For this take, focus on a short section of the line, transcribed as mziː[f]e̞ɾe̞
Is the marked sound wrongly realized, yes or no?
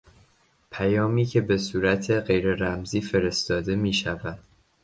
no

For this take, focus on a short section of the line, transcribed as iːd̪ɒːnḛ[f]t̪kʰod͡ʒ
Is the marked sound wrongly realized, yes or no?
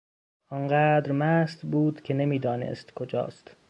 yes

